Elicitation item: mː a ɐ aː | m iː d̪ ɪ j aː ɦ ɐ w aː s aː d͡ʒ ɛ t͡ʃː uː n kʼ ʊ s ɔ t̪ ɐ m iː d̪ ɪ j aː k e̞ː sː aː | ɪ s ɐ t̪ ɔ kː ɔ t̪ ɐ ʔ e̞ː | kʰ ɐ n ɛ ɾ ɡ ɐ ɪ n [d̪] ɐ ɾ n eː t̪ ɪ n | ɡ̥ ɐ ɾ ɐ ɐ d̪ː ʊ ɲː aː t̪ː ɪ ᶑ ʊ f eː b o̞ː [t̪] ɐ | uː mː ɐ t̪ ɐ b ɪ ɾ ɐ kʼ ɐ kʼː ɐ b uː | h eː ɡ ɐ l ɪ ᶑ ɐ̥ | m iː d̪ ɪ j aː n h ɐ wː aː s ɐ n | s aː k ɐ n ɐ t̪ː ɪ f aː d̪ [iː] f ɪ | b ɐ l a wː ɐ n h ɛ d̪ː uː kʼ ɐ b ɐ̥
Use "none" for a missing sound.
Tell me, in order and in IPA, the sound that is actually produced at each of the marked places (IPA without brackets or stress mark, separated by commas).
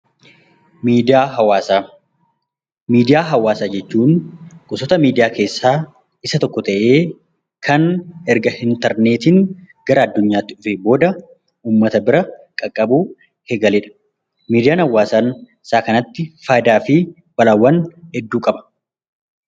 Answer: t̪, d̪, aː